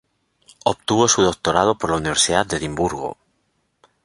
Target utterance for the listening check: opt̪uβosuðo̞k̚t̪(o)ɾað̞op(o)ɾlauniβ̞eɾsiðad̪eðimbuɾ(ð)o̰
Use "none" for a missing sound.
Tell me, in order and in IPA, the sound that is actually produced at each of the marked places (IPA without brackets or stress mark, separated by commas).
o, o, ɣ